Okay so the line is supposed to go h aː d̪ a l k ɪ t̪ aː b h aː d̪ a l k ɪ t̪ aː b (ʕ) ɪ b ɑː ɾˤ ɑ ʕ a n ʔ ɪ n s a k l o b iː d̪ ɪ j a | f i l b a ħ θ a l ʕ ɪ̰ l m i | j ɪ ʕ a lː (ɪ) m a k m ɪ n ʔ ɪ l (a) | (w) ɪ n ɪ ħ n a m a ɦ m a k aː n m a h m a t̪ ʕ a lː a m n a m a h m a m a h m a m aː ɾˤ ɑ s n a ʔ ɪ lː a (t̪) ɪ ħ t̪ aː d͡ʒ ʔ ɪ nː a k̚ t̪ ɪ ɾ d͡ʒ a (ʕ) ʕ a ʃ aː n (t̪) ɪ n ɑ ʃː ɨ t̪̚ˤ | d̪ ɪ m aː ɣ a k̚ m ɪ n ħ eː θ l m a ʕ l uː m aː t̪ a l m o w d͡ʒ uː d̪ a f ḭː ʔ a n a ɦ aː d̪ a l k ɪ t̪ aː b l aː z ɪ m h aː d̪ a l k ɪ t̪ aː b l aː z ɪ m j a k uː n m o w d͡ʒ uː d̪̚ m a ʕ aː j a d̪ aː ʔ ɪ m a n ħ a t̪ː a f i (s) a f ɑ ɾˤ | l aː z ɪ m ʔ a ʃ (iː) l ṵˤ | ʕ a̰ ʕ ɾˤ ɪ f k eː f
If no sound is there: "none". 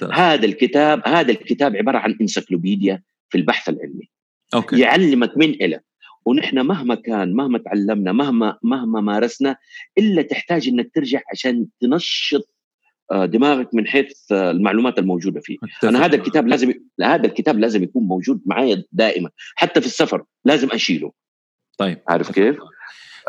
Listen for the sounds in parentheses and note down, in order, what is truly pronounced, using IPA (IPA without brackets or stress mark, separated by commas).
ʕ, ɪ, a, w, t̪, ʕ, t̪, sː, iː